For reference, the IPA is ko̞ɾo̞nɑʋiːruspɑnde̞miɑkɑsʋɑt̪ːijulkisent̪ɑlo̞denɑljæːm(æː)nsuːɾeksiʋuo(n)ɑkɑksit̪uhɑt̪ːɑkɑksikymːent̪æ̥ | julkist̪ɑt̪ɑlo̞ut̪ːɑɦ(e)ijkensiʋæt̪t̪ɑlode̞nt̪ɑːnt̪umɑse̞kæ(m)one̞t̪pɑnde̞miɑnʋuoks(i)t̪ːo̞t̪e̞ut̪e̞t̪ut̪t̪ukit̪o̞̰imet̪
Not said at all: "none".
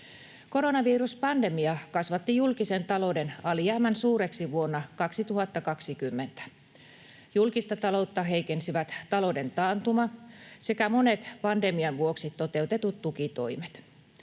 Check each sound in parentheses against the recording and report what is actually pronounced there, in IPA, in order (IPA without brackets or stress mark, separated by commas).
æ, nː, e, m, i